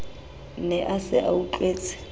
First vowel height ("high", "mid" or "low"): mid